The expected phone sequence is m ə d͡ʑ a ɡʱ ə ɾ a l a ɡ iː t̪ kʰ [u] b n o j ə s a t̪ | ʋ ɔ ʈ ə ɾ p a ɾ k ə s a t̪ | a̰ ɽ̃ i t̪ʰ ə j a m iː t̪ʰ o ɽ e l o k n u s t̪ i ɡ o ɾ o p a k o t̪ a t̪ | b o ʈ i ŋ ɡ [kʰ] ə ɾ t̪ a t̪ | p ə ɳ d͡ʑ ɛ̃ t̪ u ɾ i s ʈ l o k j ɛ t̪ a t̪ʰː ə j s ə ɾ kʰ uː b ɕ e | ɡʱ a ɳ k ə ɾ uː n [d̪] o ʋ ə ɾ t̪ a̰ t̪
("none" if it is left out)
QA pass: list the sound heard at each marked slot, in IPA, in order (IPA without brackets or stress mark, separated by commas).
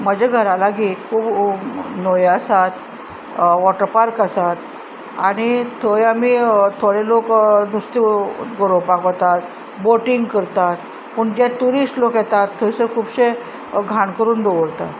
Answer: uː, k, d̪